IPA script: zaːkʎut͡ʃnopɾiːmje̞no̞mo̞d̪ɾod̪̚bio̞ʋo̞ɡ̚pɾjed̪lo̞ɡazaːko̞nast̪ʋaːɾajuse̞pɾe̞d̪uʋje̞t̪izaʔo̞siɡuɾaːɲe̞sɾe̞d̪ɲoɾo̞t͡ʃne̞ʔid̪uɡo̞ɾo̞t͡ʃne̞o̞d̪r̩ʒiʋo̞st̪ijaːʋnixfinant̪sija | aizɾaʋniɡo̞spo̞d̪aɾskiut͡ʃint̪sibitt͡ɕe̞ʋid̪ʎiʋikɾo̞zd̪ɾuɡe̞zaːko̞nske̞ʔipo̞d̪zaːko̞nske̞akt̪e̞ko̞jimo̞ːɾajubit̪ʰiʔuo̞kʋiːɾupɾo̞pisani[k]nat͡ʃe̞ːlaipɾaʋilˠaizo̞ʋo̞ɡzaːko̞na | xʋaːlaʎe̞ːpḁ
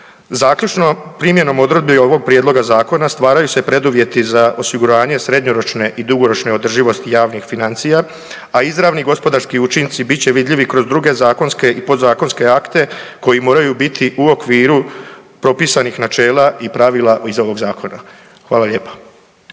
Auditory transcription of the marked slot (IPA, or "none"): x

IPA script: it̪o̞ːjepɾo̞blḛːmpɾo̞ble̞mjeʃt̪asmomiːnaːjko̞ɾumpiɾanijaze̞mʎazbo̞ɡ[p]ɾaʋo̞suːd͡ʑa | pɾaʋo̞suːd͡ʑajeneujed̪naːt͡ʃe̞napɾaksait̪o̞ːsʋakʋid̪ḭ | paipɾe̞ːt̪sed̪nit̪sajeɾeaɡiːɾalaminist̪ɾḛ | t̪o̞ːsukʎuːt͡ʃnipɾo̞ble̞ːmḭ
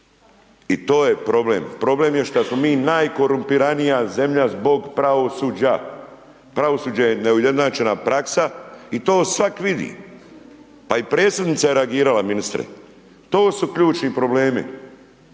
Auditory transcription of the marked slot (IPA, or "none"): p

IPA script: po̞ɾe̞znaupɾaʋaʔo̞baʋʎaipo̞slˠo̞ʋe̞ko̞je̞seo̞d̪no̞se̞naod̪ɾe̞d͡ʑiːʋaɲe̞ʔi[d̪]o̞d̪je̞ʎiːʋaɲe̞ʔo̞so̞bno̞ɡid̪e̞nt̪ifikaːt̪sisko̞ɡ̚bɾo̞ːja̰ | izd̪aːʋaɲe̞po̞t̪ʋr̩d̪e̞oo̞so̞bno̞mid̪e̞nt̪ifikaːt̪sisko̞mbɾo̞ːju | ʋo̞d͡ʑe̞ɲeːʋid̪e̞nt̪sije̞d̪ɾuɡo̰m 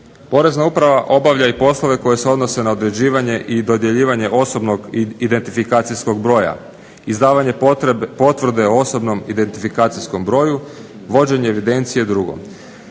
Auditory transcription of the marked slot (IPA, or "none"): d̪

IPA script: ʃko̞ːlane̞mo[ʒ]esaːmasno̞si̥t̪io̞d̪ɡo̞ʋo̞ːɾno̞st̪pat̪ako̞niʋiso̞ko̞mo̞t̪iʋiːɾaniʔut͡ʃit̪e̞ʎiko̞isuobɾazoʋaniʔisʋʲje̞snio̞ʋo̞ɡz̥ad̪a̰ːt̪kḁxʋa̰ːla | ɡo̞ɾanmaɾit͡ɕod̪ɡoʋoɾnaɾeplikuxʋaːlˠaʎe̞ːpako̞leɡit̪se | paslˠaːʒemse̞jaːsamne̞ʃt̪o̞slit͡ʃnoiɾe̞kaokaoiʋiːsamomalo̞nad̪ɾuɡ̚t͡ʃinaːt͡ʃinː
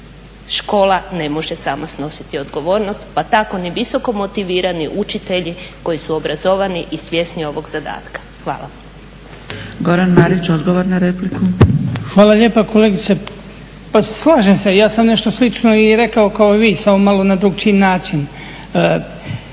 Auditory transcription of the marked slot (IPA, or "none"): ʒ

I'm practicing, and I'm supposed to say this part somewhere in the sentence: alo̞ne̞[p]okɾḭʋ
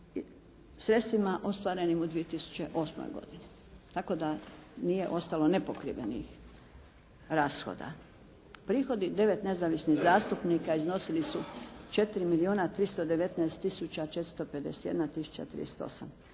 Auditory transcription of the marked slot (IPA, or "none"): p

